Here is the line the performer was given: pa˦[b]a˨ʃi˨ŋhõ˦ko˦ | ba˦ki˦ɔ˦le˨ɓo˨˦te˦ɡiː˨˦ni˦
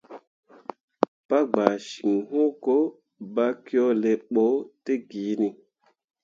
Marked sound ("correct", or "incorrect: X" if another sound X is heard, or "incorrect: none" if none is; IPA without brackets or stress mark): incorrect: ɡ͡b